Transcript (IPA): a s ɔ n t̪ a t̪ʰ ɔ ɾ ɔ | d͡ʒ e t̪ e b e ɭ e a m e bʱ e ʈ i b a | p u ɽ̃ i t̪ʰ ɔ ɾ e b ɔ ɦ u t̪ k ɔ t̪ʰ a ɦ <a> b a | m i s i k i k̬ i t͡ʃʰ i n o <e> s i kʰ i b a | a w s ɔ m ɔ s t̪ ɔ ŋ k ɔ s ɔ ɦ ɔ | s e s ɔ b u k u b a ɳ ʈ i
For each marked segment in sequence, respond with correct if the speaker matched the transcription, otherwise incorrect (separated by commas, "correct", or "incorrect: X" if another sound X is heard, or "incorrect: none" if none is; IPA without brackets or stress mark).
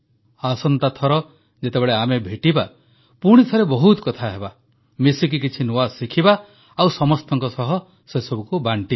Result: incorrect: e, incorrect: a